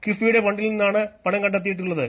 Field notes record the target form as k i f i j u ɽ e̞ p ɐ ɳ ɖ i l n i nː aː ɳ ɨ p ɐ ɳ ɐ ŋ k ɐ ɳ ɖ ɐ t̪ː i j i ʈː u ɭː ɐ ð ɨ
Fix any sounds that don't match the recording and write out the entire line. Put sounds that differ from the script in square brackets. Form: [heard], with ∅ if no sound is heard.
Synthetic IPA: k i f i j u ɽ e̞ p ɐ ɳ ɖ i l n i nː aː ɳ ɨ p ɐ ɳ ɐ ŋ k ɐ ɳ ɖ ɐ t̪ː i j i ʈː u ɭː ɐ ð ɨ